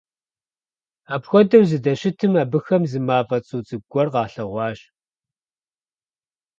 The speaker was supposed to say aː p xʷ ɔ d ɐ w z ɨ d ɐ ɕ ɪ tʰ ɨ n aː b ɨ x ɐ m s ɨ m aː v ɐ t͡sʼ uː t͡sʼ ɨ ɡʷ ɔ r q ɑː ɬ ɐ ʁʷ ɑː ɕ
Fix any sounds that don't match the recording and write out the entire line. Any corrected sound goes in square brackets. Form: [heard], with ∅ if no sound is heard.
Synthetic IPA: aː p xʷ ɔ d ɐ w z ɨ d ɐ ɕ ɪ tʰ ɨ [m] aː b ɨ x ɐ m [z] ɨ m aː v ɐ t͡sʼ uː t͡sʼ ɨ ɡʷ ɔ r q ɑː ɬ ɐ ʁʷ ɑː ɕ